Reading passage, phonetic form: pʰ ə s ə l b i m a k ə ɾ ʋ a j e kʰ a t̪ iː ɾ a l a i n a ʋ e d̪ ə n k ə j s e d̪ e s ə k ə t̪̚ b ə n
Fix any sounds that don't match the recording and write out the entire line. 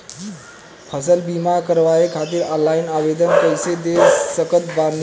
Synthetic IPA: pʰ ə s ə l b i m a k ə ɾ ʋ a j e kʰ a t̪ iː ɾ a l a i n a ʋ e d̪ ə n k ə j s e d̪ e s ə k ə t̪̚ b a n